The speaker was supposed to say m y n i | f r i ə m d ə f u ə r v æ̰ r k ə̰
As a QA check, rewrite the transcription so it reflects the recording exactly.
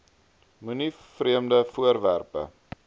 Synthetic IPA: m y n i | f r i ə m d ə f u ə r v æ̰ r p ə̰